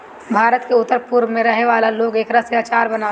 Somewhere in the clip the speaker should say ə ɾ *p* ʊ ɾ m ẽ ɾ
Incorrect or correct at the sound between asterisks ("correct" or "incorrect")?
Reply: correct